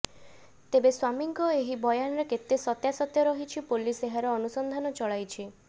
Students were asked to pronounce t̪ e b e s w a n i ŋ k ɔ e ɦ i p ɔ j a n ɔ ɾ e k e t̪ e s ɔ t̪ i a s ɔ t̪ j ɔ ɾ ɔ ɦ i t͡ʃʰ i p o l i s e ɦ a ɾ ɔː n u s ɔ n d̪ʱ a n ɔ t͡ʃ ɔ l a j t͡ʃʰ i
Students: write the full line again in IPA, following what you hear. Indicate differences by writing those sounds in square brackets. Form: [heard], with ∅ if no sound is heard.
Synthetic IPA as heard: t̪ e b e s w a [m] i ŋ k ɔ e ɦ i [b] ɔ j a n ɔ ɾ e k e t̪ e s ɔ t̪ [j] a s ɔ t̪ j ɔ ɾ ɔ ɦ i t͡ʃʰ i p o l i s e ɦ a ɾ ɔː n u s ɔ n d̪ʱ a n ɔ t͡ʃ ɔ [ɭ] a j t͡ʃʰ i